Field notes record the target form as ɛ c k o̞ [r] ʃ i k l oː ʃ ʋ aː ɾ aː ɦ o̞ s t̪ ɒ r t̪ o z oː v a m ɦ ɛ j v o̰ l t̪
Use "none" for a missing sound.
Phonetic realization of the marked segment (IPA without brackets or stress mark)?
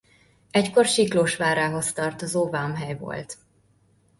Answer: r